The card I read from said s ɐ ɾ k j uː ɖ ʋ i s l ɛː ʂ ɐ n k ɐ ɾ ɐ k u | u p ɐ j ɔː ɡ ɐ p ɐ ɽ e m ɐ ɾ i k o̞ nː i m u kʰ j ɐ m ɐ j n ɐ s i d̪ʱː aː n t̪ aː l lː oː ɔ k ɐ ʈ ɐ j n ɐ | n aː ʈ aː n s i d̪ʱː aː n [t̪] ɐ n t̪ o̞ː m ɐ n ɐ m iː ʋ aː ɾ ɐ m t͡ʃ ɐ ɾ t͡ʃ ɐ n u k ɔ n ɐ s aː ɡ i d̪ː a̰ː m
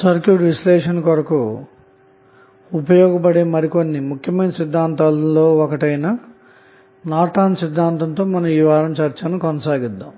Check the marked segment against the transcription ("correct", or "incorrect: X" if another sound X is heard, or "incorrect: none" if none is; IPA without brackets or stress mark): correct